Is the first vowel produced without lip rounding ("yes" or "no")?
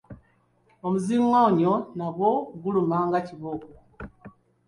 no